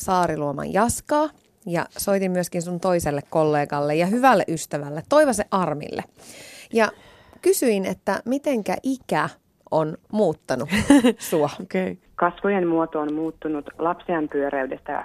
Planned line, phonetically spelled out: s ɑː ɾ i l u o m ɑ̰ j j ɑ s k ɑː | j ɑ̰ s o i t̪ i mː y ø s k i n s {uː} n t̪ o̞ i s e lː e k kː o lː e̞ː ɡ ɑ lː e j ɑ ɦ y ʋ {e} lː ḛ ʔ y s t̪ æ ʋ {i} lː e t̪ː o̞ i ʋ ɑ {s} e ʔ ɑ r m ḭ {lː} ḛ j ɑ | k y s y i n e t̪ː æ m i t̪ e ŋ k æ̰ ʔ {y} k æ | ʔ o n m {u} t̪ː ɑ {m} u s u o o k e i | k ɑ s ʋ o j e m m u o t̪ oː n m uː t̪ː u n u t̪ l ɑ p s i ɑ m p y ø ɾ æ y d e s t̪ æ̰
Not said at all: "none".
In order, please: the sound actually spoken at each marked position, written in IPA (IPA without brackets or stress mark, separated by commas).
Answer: u, æ, æ, s, lː, i, uː, n